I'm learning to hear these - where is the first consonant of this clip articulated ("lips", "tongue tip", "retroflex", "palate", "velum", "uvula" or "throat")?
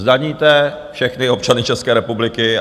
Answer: tongue tip